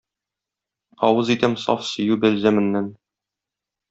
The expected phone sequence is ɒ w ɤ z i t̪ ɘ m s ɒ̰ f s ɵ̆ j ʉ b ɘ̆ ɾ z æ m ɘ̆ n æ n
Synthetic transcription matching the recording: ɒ w ɤ z i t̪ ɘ m s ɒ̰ f s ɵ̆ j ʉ b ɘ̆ l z æ m ɘ̆ nː æ n